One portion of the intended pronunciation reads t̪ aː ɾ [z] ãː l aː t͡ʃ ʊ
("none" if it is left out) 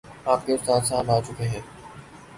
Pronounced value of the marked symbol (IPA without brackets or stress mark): s